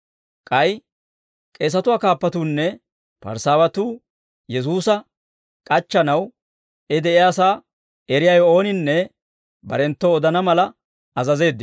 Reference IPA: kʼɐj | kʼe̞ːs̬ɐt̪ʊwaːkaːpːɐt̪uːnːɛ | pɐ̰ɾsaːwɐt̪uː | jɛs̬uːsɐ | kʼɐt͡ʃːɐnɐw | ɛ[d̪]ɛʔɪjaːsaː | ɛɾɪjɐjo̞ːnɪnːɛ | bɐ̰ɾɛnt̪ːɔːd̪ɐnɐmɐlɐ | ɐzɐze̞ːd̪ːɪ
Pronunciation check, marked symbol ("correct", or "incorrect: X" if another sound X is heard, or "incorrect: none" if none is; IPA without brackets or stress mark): correct